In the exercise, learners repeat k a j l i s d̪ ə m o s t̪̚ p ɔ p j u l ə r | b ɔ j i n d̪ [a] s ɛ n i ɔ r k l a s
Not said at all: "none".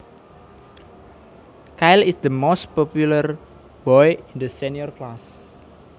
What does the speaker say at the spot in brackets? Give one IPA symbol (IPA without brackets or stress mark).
ə